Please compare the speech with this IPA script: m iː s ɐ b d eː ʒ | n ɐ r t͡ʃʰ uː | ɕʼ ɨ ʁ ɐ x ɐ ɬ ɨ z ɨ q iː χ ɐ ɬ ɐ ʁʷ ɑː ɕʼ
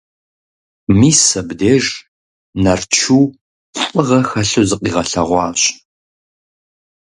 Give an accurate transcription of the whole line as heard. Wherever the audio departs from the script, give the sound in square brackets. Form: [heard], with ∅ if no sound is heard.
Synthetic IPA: m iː s ɐ b d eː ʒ | n ɐ r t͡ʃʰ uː | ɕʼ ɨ ʁ ɐ x ɐ ɬ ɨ z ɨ q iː [ʁ] ɐ ɬ ɐ ʁʷ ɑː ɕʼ